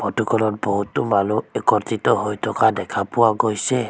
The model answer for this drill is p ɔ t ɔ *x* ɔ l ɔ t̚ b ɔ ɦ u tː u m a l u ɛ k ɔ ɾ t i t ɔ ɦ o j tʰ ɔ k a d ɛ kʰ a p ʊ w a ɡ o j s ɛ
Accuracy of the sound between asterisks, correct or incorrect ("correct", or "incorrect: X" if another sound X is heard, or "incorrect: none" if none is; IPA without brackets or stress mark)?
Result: incorrect: k